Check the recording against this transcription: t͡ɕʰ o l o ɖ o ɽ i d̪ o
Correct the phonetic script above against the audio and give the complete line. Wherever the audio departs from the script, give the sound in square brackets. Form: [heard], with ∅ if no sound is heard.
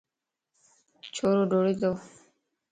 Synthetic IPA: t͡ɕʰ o [ɾ] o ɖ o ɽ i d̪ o

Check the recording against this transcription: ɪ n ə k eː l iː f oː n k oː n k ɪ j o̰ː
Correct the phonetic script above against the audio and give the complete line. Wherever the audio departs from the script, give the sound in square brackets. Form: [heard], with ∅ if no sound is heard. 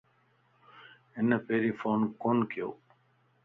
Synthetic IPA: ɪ n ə [p] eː [ɾ] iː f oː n k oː n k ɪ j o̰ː

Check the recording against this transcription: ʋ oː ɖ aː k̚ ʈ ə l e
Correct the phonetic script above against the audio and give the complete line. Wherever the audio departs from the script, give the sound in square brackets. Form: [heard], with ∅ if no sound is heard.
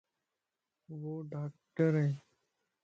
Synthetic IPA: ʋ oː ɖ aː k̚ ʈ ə [ɾ] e

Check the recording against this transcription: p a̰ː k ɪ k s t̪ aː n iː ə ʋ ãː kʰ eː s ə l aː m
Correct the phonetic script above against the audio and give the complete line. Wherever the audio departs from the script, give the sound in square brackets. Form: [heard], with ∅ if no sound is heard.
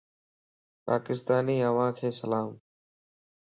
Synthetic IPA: p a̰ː k ɪ [∅] s t̪ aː n iː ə ʋ ãː kʰ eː s ə l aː m

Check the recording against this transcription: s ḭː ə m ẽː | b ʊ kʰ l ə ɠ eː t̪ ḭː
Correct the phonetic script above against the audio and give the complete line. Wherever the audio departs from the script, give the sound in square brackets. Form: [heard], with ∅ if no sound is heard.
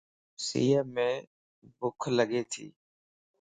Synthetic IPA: s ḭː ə m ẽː | b ʊ kʰ l ə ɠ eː [t̪ʰ] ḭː

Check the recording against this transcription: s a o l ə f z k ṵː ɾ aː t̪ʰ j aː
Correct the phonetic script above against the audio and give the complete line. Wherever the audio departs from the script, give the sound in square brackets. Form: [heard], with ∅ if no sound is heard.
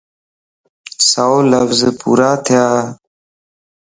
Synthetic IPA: s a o l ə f z [p] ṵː ɾ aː t̪ʰ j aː

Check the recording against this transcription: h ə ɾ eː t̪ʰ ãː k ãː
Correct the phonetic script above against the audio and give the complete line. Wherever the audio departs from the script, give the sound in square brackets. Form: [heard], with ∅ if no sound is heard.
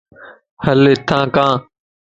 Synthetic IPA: h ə [l] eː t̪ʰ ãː k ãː

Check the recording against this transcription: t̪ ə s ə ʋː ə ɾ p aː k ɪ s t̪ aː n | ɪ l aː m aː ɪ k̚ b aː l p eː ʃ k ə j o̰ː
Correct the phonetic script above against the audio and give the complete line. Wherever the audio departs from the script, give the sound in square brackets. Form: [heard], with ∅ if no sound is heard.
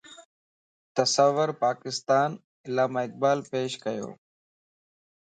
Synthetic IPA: t̪ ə s ə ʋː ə ɾ p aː k ɪ s t̪ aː n | ɪ l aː m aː ɪ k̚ b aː l p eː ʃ k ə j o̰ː

